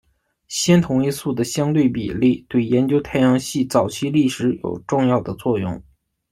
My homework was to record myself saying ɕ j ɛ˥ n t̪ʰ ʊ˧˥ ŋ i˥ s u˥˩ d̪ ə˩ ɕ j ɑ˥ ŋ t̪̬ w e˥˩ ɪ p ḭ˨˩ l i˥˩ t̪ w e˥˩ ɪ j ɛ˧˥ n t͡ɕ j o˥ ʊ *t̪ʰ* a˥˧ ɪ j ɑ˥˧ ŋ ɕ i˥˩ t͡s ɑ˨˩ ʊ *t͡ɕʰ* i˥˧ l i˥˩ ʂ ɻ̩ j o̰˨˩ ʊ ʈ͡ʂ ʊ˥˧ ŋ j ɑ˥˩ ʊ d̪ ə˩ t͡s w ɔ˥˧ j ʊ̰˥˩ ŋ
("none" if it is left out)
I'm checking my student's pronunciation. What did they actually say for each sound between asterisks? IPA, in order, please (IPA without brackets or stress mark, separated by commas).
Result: t̪ʰ, t͡ɕʰ